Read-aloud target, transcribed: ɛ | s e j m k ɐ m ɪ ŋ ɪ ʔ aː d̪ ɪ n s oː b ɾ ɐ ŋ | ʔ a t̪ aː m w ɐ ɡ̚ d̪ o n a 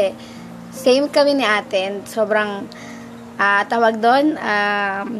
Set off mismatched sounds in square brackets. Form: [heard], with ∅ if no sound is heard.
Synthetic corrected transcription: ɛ | s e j m k ɐ m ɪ [n] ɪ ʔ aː [t̪] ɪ n s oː b ɾ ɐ ŋ | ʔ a t̪ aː [∅] w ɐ ɡ̚ d̪ o n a